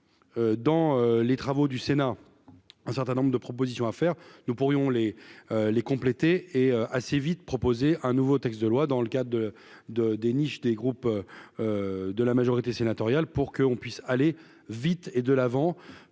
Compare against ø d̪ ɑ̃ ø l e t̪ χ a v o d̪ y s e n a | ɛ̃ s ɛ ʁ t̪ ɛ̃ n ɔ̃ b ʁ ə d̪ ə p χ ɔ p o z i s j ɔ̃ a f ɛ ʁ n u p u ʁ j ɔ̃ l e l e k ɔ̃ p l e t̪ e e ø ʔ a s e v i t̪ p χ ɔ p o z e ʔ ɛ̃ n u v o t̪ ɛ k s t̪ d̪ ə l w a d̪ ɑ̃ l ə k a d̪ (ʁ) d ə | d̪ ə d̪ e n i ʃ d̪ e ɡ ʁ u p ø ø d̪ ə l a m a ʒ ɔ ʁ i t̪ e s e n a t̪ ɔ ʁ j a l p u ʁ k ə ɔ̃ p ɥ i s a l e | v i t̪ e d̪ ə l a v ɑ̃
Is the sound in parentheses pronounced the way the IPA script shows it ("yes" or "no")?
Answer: yes